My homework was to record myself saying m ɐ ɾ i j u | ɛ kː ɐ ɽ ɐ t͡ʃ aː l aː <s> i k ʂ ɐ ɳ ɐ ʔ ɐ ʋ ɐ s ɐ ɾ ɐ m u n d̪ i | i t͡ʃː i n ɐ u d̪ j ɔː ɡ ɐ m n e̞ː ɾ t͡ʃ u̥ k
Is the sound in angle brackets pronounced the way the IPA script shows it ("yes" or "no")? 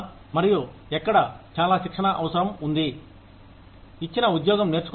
no